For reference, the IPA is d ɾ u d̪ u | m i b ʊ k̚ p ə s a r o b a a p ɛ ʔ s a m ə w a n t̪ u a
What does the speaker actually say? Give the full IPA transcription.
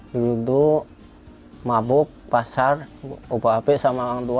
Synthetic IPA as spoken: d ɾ u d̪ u | m a b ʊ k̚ p a s a r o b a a p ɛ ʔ s a m a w a ŋ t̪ u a